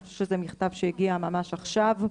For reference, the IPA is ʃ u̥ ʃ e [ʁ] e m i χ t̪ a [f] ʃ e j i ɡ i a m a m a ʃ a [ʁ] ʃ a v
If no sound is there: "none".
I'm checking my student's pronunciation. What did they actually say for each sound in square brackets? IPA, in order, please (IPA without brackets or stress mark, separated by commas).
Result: z, v, χ